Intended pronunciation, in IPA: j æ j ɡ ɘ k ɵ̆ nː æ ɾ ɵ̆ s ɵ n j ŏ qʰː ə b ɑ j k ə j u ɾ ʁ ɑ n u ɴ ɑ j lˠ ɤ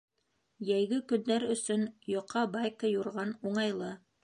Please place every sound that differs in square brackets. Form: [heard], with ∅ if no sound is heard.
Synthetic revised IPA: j æ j ɡ ɘ k ɵ̆ nː æ ɾ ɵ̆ s ɵ n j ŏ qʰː [ɑ] b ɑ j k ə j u ɾ ʁ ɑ n u ɴ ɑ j lˠ ɤ